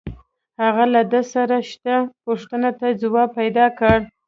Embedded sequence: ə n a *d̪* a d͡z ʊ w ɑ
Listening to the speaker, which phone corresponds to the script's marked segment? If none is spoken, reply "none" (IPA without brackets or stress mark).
t̪